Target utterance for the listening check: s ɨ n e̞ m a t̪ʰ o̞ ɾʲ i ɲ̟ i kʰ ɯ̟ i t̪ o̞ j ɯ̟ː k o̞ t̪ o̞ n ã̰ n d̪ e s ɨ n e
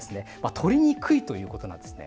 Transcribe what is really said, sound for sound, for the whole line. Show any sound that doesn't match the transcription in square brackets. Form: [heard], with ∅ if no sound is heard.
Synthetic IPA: s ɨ n e̞ m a t̪ʰ o̞ ɾʲ i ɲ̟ i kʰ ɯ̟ i t̪ o̞ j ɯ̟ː k o̞ t̪ o̞ n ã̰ n d̪ e s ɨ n e